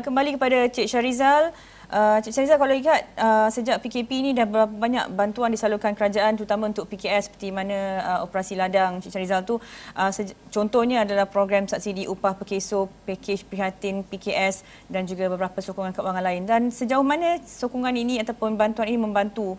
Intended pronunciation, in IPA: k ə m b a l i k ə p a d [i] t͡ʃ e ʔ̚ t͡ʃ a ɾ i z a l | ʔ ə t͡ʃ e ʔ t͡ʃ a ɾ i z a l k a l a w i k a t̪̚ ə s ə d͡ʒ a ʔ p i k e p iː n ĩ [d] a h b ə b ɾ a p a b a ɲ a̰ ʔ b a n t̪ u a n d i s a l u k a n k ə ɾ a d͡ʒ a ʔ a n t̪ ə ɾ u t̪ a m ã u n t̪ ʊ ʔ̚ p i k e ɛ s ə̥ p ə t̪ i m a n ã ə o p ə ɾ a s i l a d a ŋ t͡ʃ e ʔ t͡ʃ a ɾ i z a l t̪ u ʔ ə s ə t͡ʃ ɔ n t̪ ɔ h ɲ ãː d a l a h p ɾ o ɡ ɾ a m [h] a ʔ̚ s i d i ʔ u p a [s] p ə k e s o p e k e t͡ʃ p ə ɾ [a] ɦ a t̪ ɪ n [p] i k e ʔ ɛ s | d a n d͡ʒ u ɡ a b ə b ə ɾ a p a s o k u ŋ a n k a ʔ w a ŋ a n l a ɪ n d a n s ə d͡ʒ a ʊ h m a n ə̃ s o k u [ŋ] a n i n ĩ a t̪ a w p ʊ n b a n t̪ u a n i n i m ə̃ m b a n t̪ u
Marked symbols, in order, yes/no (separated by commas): no, yes, no, no, no, yes, yes